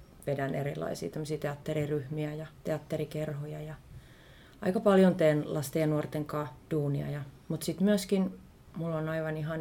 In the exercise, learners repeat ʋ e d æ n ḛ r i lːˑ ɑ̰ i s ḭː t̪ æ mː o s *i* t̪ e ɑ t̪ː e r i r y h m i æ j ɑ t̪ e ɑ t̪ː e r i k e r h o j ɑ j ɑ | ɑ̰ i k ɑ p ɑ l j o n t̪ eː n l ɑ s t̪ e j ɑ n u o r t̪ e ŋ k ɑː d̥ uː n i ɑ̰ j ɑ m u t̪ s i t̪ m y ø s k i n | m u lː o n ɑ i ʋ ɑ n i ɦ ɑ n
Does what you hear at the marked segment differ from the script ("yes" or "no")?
yes